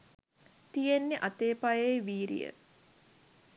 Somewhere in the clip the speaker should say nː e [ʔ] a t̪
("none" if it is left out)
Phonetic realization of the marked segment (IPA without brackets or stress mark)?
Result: ʔ